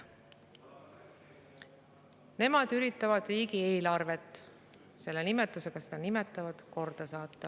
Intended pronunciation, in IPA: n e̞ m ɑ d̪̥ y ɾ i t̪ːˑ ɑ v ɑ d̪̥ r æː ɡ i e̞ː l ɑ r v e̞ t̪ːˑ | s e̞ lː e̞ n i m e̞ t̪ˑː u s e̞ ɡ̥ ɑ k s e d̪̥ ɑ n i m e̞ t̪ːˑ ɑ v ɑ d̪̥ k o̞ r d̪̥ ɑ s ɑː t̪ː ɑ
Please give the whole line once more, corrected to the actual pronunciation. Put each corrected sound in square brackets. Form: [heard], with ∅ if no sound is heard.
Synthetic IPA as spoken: n e̞ m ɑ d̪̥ y ɾ i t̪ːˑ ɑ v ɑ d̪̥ r [iː] ɡ i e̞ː l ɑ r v e̞ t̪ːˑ | s e̞ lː e̞ n i m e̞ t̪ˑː u s e̞ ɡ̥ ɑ [∅] s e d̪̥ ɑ n i m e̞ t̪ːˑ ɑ v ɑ d̪̥ k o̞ r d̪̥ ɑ s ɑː t̪ː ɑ